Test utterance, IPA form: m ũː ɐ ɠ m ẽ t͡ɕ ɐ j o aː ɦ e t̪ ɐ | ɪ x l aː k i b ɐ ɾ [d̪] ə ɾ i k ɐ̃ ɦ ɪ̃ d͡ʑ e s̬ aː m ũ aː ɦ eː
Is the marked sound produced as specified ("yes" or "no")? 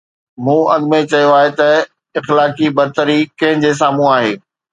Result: no